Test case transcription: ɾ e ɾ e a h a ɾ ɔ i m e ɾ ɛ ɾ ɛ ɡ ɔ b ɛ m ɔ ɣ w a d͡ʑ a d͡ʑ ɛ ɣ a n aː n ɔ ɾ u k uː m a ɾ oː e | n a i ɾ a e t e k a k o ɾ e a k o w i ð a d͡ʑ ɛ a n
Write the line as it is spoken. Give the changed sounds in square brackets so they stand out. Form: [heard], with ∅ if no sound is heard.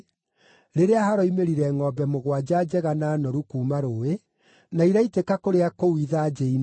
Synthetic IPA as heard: ɾ e ɾ e a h a ɾ ɔ i m e ɾ [i] ɾ ɛ [ŋ] ɔ b ɛ m [o] ɣ w a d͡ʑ a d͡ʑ ɛ ɣ a n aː n ɔ ɾ u k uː m a ɾ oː e | n a i ɾ a [i] t e k a k o ɾ e a k o w i ð a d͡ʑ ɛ [i] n